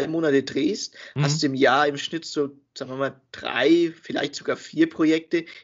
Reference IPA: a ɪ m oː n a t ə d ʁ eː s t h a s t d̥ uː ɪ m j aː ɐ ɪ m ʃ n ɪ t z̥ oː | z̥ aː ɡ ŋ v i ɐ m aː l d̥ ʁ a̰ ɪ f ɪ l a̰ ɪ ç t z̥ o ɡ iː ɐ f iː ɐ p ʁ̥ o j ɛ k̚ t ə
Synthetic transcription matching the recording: a ɪ m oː n a t ə d ʁ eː s t h a s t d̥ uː ɪ m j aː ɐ ɪ m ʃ n ɪ t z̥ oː | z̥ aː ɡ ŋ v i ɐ m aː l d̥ ʁ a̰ ɪ f ɪ l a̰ ɪ ç t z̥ o ɡ aː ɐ f iː ɐ p ʁ̥ o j ɛ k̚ t ə